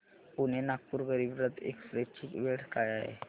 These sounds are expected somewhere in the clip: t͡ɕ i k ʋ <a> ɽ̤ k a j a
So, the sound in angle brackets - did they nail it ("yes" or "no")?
no